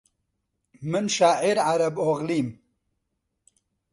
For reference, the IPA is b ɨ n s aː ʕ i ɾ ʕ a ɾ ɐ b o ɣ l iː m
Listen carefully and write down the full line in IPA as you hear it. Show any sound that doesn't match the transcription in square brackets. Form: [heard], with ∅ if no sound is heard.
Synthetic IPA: [m] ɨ n [ʃ] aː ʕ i ɾ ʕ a ɾ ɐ b o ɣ l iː m